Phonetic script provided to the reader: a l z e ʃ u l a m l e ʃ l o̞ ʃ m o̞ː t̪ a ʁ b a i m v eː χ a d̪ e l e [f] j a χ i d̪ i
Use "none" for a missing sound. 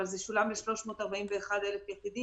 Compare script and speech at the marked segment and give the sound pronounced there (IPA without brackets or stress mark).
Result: f